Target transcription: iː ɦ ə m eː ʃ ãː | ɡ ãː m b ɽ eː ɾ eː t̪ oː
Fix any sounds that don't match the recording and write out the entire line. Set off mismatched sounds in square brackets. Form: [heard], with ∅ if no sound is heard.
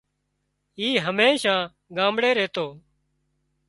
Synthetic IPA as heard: iː ɦ ə m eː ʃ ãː | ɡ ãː m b ɽ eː ɾ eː t̪ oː